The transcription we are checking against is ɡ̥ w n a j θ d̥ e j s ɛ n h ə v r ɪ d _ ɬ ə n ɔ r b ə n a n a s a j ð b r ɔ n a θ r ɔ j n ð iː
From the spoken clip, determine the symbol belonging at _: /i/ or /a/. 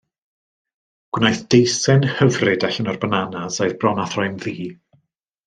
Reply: a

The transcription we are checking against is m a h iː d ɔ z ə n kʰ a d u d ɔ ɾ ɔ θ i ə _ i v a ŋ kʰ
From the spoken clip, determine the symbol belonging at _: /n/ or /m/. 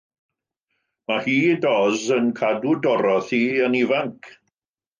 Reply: n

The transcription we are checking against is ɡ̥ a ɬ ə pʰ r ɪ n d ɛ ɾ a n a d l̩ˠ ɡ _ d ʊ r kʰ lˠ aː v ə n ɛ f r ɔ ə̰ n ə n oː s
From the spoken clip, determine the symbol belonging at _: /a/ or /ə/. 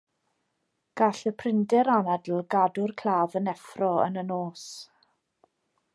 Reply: a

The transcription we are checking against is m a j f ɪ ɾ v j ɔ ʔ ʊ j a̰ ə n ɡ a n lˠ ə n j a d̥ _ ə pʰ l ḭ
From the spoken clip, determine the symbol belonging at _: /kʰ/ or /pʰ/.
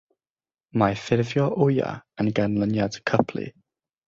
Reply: kʰ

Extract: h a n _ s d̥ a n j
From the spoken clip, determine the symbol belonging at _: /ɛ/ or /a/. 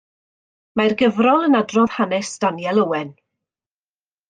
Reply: ɛ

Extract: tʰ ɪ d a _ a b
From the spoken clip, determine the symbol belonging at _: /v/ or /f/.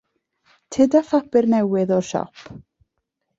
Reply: f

